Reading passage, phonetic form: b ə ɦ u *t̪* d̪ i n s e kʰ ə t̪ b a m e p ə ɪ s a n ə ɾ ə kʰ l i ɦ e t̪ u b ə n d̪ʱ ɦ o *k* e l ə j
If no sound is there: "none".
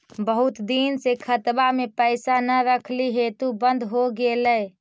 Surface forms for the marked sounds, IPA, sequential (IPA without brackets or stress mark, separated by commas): t̪, ɡ